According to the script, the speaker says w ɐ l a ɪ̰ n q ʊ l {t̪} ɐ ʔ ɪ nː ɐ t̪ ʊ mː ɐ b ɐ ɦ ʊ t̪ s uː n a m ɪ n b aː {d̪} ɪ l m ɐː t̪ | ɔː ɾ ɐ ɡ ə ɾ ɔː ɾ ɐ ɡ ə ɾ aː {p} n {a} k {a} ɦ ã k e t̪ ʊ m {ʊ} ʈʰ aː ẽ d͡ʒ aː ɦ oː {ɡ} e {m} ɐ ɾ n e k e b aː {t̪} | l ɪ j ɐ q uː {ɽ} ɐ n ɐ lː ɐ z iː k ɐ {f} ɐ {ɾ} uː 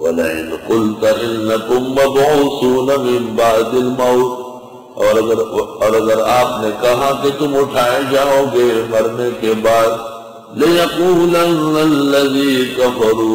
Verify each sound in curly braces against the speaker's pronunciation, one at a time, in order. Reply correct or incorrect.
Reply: correct, correct, correct, incorrect, incorrect, correct, correct, correct, incorrect, incorrect, correct, correct

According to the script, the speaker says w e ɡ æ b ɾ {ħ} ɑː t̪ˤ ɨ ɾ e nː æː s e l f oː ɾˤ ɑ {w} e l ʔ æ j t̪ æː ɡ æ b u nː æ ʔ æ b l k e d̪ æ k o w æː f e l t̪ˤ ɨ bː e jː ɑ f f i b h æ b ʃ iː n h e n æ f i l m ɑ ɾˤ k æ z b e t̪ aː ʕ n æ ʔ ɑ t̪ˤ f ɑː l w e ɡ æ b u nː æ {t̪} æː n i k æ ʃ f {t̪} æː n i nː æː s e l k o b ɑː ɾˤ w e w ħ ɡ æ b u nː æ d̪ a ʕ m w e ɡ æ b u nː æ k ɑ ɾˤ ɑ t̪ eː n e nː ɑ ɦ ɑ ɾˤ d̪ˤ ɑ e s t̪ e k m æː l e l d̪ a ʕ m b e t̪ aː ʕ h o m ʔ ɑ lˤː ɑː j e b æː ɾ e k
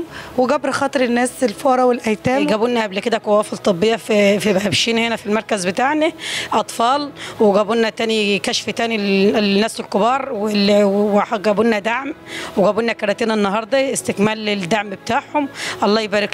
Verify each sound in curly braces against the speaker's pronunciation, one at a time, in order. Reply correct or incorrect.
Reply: incorrect, correct, correct, correct

